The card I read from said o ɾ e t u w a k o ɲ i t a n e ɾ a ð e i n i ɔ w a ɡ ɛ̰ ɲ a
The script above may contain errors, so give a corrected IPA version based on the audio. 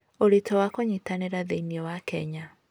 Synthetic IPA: o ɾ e t ɔ w a k o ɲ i t a n e ɾ a ð e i n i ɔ w a k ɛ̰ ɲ a